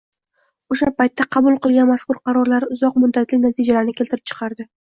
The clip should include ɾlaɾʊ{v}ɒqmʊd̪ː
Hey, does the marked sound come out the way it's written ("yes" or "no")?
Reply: no